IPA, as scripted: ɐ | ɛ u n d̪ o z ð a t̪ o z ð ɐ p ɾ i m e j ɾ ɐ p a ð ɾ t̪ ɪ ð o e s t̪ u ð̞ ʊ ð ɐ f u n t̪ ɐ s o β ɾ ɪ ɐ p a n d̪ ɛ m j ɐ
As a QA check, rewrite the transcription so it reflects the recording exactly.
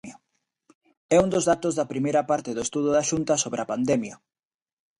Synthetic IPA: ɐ | ɛ u n d̪ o z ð a t̪ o z ð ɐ p ɾ i m e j ɾ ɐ p a ɾ t̪ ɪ ð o e s t̪ u ð̞ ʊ ð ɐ ʃ u n t̪ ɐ s o β ɾ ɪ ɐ p a n d̪ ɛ m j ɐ